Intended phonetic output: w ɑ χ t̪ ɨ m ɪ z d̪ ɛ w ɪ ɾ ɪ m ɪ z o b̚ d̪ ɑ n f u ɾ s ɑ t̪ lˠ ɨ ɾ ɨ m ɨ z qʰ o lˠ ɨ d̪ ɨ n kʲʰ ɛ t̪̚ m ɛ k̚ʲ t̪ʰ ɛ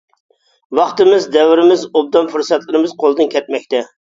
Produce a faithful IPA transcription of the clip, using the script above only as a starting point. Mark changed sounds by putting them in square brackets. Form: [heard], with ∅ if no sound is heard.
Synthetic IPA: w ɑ χ t̪ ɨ m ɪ z d̪ ɛ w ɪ ɾ ɪ m ɪ z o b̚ d̪ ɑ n f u ɾ s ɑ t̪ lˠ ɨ ɾ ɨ m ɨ z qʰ o lˠ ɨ d̪ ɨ n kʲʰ ɛ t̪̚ m ɛ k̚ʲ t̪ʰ ɛ